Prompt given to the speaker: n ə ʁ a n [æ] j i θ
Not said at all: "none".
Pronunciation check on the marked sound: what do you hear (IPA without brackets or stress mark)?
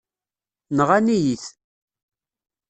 i